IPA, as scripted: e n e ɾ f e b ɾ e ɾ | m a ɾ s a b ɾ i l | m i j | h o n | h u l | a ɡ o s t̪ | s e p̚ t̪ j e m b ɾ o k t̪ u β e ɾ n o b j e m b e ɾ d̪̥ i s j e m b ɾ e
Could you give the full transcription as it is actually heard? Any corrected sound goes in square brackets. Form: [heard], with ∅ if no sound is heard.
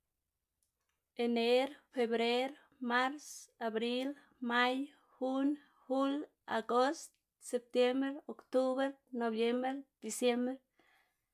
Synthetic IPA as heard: e n e ɾ f e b ɾ e ɾ | m a ɾ s a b ɾ i l | m [a] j | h [u] n | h u l | a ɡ o s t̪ | s e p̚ t̪ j e m b ɾ o k t̪ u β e ɾ n o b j e m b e ɾ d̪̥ i s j e m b ɾ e